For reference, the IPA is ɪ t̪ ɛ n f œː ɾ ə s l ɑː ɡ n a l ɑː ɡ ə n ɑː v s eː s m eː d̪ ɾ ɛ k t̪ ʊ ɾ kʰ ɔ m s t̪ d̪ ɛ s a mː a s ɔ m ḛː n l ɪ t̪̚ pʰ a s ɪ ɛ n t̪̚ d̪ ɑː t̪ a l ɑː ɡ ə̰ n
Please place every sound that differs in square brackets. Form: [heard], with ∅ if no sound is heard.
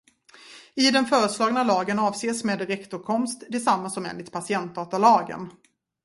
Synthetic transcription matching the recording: ɪ [d̪] ɛ n f œː ɾ ə s l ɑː ɡ n a l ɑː ɡ ə n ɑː v s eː s m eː d̪ ɾ ɛ k t̪ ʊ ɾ kʰ ɔ m s t̪ d̪ ɛ s a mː a s ɔ m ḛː n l ɪ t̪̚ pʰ a s ɪ ɛ n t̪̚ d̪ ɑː t̪ a l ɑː ɡ ə̰ n